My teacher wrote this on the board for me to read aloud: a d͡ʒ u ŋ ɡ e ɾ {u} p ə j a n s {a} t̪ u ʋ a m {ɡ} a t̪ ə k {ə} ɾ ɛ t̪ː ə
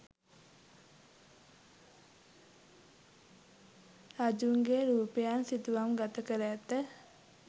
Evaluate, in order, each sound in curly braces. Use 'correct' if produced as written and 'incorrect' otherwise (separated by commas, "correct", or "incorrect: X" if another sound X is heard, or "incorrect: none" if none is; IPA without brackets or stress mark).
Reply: incorrect: uː, incorrect: i, correct, correct